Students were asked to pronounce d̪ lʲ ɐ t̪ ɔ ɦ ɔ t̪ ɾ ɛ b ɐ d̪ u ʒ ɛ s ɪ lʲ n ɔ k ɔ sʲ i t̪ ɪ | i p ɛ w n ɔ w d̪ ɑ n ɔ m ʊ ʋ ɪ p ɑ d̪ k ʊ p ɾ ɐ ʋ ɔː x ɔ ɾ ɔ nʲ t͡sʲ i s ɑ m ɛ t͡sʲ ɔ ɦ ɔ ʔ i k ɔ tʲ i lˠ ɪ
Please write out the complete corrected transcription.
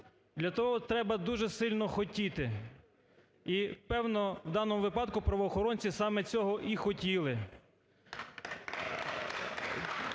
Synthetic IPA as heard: d̪ lʲ ɐ t̪ ɔ ɦ ɔ t̪ ɾ ɛ b ɐ d̪ u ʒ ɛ s ɪ lʲ n ɔ x ɔ tʲ i t̪ ɪ | i p ɛ w n ɔ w d̪ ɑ n ɔ m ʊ ʋ ɪ p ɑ d̪ k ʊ p ɾ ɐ ʋ ɔː x ɔ ɾ ɔ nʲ t͡sʲ i s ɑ m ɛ t͡sʲ ɔ ɦ ɔ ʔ i x ɔ tʲ i lˠ ɪ